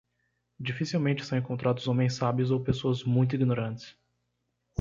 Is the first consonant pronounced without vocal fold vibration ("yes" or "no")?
no